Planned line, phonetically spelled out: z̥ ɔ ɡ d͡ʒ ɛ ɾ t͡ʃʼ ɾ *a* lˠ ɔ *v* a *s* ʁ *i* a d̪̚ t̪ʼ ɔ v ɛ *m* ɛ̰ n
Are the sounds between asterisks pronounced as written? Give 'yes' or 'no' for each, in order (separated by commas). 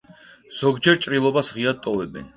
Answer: no, no, yes, yes, no